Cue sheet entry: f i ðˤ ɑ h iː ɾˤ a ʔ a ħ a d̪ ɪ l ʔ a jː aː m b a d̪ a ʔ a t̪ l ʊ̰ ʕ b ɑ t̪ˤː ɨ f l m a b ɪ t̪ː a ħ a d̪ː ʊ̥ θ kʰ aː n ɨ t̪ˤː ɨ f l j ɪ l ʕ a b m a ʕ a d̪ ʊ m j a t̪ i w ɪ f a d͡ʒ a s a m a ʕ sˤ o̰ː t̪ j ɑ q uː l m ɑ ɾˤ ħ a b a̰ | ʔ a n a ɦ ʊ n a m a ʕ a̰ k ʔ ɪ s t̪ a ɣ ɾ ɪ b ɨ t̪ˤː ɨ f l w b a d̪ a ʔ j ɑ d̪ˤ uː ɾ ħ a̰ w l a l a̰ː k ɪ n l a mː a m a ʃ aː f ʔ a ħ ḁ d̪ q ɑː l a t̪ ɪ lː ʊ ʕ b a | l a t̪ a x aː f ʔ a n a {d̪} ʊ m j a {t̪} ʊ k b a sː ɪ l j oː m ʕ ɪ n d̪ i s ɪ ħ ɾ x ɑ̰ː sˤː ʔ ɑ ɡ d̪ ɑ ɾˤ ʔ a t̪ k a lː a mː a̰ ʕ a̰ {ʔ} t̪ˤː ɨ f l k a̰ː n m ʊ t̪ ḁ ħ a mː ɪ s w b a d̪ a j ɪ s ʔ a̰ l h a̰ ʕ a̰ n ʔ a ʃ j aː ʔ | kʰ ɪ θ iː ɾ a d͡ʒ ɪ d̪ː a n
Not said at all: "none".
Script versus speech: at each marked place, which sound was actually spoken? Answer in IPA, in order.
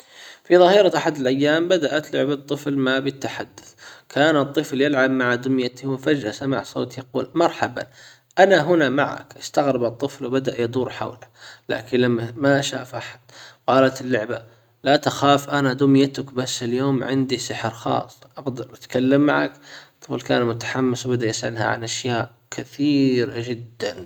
d̪, t̪, k

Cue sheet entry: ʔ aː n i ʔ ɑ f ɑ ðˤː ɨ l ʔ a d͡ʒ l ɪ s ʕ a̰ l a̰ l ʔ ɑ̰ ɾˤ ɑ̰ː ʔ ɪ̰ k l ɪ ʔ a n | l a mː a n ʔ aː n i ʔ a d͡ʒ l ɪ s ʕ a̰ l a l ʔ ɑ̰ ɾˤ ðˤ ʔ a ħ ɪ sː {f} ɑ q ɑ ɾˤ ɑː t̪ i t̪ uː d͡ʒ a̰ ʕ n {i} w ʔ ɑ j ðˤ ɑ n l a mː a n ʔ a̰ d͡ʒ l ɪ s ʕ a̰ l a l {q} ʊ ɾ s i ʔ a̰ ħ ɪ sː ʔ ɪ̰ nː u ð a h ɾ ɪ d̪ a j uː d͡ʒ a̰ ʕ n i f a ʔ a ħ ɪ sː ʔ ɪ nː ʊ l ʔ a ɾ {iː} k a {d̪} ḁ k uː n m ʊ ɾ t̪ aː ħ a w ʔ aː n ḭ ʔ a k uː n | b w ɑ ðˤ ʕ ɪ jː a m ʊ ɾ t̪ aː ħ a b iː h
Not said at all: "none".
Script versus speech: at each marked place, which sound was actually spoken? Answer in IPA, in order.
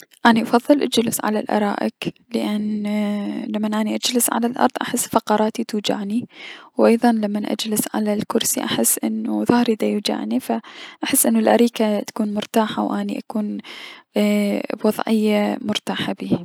f, i, k, iː, t̪

